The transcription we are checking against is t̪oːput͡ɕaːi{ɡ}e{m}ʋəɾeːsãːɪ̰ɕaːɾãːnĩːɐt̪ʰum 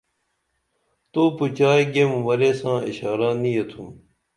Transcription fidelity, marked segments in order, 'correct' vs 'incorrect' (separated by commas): correct, correct